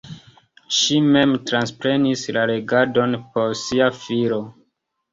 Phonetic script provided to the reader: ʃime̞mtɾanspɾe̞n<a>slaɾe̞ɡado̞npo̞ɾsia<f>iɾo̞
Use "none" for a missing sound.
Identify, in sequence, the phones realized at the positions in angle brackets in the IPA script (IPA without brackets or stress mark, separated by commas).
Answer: i, f